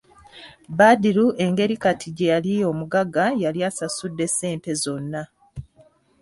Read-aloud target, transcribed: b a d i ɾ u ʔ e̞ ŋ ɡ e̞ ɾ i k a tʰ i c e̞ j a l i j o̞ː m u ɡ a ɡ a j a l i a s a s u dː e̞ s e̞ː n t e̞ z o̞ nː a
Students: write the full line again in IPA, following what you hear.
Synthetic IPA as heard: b a d i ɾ u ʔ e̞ ŋ ɡ e̞ ɾ i k a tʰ i ɟ e̞ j a l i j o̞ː m u ɡ a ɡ a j a l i a s a s u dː e̞ s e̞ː n t e̞ z o̞ nː a